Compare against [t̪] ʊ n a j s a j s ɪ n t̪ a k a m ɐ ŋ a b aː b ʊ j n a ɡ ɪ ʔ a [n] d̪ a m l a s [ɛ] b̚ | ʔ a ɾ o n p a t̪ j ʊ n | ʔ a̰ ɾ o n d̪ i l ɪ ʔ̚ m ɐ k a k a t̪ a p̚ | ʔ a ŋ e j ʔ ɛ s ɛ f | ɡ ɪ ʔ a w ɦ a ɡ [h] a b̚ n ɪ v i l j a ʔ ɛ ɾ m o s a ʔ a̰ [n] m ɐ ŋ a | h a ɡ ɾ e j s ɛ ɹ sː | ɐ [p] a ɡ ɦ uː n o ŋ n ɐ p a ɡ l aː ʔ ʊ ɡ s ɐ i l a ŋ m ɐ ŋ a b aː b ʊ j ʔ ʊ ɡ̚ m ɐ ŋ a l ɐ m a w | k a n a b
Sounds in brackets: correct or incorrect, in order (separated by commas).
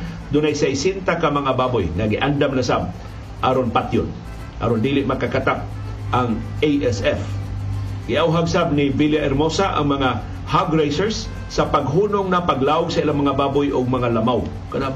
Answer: incorrect, correct, incorrect, incorrect, incorrect, correct